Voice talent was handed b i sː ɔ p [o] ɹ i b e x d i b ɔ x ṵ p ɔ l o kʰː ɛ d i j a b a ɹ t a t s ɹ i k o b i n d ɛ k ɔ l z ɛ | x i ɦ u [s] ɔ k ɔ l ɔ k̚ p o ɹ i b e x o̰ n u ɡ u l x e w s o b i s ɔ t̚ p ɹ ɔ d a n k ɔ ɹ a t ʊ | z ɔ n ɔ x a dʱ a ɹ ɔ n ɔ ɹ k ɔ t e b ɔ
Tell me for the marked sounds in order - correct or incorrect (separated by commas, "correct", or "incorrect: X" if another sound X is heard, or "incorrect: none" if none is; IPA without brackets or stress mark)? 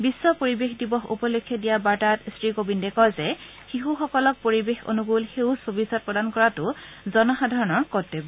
correct, incorrect: x